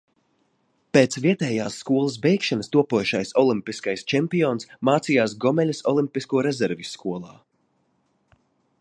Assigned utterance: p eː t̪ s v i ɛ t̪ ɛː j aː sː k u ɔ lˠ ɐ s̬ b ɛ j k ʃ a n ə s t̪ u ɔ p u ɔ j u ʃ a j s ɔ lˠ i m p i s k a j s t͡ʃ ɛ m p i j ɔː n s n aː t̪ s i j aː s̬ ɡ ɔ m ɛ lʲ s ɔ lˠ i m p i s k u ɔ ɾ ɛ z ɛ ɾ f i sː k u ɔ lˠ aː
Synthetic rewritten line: p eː t̪ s v i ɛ t̪ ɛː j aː sː k u ɔ lˠ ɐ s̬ b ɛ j k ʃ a n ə s t̪ u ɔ p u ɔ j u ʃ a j s ɔ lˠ i m p i s k a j s t͡ʃ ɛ m p i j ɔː n s m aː t̪ s i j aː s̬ ɡ ɔ m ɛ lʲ s ɔ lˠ i m p i s k u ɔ ɾ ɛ z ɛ ɾ v i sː k u ɔ lˠ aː